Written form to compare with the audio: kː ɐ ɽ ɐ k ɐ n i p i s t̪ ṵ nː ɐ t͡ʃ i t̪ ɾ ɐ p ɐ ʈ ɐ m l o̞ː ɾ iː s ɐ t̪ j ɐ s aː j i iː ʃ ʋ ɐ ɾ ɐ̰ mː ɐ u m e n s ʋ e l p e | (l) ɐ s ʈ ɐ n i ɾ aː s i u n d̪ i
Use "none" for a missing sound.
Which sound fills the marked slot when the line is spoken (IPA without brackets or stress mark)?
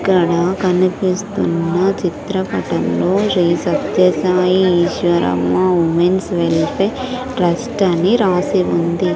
ɾ